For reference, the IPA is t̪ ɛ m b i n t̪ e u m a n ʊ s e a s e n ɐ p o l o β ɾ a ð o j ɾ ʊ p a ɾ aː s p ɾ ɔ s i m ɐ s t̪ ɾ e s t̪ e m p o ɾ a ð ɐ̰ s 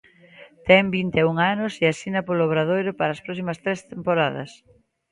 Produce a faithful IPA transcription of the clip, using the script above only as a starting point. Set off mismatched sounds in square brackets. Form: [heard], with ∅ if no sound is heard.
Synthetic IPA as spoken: t̪ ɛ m b i n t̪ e u [ŋ] a n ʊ s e a s [i] n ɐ p o l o β ɾ a ð o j ɾ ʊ p a ɾ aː s p ɾ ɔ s i m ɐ s t̪ ɾ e s t̪ e m p o ɾ a ð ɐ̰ s